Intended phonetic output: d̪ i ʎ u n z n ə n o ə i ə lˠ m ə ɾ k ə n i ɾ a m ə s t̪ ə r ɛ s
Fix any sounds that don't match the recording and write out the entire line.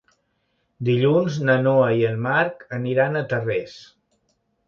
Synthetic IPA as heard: d̪ i ʎ u n z n ə n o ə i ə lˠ m a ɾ k ə n i ɾ a n ə t̪ ə r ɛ s